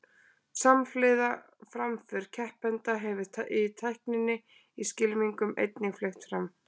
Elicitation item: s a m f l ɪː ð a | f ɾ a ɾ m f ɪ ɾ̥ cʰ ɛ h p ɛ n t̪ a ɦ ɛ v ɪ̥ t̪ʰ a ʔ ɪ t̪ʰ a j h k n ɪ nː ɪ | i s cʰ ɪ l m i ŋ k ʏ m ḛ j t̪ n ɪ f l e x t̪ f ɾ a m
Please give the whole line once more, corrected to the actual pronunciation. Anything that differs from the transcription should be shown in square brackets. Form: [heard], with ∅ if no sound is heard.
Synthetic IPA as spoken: s a m f l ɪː ð a | f ɾ a [∅] m f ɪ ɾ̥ cʰ ɛ h p ɛ n t̪ a ɦ ɛ v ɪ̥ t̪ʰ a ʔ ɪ t̪ʰ a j h k n ɪ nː ɪ | i s [c] ɪ l m i ŋ k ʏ m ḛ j t̪ n ɪ f l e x t̪ f ɾ a m